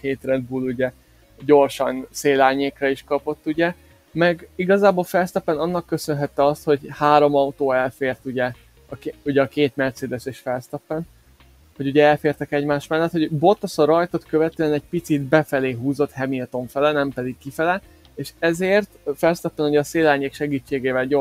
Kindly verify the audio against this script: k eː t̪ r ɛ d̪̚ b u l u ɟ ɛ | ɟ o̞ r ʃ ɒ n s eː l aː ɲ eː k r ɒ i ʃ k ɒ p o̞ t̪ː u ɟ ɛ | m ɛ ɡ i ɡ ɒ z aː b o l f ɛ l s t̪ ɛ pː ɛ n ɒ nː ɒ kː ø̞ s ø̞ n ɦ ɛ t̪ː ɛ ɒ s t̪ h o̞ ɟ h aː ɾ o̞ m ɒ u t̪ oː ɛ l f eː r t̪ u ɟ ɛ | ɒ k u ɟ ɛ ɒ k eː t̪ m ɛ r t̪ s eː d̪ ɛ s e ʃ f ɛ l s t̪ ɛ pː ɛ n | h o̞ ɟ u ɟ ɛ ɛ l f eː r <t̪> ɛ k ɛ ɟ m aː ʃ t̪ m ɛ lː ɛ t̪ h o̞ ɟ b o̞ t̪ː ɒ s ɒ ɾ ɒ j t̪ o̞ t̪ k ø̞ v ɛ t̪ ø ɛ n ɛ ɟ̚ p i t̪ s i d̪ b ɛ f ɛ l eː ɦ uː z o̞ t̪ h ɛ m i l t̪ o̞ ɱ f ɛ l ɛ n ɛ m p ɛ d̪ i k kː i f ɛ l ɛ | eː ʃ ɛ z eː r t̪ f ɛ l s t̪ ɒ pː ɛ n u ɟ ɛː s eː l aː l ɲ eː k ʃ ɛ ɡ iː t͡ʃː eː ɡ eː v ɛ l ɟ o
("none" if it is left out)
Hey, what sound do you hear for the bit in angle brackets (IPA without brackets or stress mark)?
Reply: t̪